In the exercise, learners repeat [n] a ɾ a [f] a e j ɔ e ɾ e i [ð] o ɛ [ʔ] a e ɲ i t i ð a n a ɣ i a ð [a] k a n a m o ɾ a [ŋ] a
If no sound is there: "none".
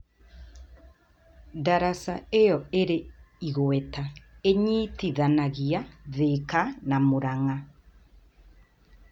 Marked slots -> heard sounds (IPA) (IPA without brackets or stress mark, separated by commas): d, s, ɣ, t, e, ŋ